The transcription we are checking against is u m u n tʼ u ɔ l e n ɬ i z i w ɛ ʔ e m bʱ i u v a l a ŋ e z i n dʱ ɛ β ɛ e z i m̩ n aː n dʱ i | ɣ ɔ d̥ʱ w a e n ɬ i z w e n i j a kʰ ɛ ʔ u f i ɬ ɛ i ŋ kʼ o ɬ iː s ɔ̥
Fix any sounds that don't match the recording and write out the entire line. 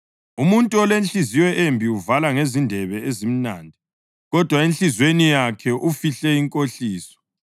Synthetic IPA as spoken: u m u n tʼ u ɔ l e n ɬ i z i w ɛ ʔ e m bʱ i u v a l a ŋ e z i n dʱ ɛ β ɛ e z i m̩ n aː n dʱ i | ɣ ɔ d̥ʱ w a e n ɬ i z w e n i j a kʰ ɛ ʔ u f i ɬ ɛ i ŋ kʼ o ɬ iː s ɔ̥